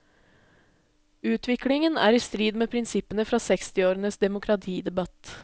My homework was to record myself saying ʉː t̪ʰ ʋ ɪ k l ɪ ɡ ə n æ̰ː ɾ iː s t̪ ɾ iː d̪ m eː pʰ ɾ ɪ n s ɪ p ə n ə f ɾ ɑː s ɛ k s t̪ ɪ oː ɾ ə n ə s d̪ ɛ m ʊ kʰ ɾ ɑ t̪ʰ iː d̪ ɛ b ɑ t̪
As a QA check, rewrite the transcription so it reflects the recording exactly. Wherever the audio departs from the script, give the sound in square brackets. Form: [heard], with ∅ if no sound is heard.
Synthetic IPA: ʉː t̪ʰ ʋ ɪ k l ɪ [ŋ] ə n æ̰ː ɾ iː s t̪ ɾ iː d̪ m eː pʰ ɾ ɪ n s ɪ p ə n ə f ɾ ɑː s ɛ k s t̪ ɪ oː ɾ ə n ə s d̪ ɛ m ʊ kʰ ɾ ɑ t̪ʰ iː d̪ ɛ b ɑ t̪